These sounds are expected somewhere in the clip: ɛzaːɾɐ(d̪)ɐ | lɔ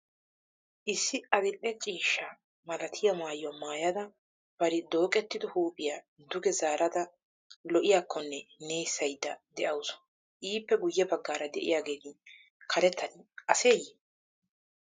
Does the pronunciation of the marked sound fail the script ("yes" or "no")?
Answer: no